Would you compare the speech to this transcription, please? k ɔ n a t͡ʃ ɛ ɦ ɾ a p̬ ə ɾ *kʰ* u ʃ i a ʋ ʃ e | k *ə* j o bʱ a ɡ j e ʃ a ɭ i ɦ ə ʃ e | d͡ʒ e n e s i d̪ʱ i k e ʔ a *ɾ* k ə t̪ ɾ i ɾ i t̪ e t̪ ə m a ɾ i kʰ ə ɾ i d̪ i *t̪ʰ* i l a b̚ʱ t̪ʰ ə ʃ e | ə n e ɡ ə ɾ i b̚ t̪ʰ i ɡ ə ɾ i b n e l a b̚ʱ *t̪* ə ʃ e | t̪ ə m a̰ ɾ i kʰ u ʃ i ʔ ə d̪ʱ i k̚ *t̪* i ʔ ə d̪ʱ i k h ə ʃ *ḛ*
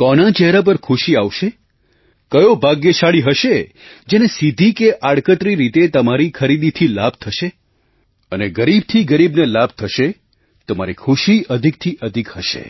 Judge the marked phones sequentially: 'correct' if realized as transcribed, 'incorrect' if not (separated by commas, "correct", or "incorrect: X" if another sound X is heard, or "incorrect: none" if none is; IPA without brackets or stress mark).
correct, correct, incorrect: ɽ, correct, incorrect: t̪ʰ, incorrect: t̪ʰ, correct